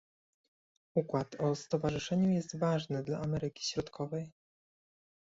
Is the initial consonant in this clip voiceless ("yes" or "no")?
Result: yes